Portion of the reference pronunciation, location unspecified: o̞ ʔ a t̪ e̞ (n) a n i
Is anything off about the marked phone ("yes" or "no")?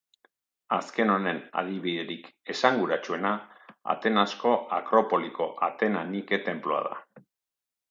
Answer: no